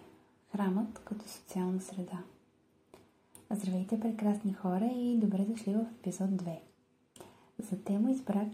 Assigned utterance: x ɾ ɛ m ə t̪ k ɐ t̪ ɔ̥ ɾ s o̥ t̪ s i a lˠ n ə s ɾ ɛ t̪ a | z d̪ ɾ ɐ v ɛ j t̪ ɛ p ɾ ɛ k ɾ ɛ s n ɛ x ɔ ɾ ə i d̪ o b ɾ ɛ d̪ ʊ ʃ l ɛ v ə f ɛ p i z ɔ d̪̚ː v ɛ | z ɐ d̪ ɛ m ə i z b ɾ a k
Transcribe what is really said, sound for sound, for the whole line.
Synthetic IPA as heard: x ɾ a m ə t̪ k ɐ t̪ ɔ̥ s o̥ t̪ s i a lˠ n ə s ɾ ɛ d̪ a | z d̪ ɾ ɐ v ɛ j t̪ ɛ p ɾ ɛ k ɾ a s n i x ɔ ɾ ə i d̪ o b ɾ ɛ d̪ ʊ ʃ l i v ə f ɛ p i z ɔ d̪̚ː v ɛ | z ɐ t̪ ɛ m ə i z b ɾ a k